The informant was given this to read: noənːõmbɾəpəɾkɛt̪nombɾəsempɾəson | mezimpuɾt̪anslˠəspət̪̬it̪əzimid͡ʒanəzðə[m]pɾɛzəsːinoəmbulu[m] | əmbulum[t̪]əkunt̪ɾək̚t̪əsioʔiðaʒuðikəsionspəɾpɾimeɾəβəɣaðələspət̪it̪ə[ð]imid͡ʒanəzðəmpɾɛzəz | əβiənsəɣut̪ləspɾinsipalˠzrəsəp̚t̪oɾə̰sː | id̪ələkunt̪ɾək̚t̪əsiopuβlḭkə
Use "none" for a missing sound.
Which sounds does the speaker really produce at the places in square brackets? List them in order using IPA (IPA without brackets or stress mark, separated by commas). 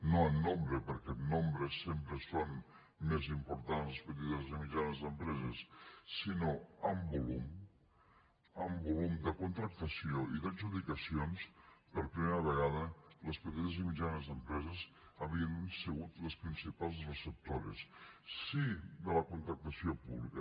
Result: m, m, d̪, z